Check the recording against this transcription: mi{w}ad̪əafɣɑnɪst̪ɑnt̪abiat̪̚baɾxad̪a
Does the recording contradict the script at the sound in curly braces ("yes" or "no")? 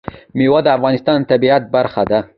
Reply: no